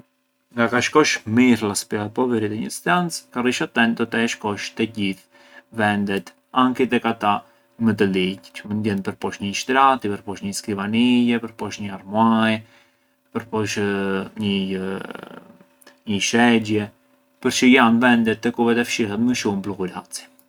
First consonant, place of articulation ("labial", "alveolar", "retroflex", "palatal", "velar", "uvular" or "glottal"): velar